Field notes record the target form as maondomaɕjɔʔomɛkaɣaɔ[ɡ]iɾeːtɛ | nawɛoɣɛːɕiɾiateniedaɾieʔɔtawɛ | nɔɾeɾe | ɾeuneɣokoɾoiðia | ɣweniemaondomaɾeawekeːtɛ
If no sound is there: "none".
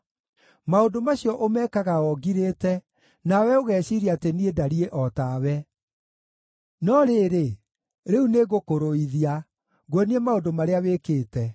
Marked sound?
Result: ɡ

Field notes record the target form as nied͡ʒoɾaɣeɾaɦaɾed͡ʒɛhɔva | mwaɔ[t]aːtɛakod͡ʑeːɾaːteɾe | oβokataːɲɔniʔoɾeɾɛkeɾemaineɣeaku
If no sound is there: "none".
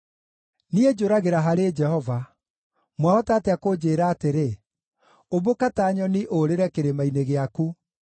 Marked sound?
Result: t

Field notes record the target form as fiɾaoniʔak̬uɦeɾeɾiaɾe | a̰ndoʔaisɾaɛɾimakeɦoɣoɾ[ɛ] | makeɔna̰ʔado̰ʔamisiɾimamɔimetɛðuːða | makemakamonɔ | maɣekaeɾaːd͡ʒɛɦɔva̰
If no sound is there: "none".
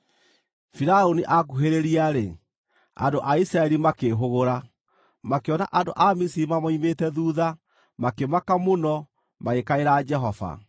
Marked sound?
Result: a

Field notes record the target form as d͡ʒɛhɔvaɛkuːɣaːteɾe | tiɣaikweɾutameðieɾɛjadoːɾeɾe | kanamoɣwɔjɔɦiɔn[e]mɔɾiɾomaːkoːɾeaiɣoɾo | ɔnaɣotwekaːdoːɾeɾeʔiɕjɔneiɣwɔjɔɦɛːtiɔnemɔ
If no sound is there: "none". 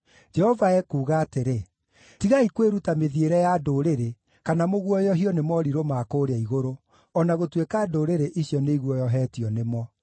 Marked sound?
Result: e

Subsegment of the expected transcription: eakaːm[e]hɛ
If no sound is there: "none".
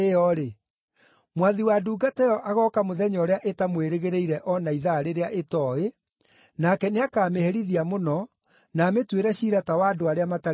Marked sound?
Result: e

